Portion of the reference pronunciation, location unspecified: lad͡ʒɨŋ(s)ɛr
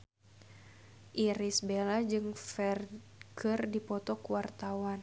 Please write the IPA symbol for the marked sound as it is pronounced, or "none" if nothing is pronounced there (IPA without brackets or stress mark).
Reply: f